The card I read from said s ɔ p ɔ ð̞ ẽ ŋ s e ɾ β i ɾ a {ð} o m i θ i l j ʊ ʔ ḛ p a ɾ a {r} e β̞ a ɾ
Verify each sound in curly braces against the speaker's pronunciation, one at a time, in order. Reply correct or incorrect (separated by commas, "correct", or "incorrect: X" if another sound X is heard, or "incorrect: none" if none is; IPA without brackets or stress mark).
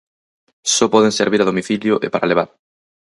correct, incorrect: l